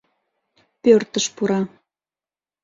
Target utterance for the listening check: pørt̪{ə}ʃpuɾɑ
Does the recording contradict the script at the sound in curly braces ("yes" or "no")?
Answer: no